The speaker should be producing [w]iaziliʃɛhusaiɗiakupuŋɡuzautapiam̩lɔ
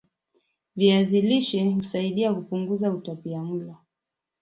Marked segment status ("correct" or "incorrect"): incorrect